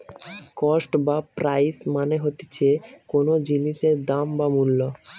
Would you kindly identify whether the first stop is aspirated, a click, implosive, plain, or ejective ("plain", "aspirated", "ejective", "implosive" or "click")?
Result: plain